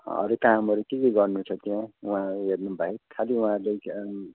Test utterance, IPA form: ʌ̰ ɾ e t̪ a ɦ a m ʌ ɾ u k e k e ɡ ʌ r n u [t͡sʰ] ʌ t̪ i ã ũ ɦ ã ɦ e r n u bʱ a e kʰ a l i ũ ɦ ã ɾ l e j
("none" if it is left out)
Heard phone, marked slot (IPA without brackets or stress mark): t͡sʰ